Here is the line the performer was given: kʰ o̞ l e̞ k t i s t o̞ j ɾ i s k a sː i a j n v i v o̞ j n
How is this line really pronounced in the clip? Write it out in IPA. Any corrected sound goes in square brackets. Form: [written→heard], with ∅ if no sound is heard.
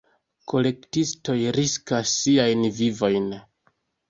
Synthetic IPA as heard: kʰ o̞ l e̞ k t i s t o̞ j ɾ i s k a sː i a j n v i v o̞ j n